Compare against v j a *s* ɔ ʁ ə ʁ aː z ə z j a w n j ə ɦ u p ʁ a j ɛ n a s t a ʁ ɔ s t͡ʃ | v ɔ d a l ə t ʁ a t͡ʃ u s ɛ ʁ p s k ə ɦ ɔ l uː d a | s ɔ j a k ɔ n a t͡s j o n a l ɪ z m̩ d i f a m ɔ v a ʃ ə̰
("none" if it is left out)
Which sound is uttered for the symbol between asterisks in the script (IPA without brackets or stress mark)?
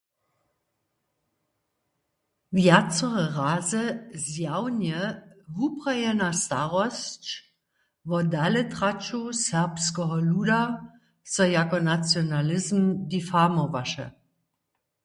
t͡s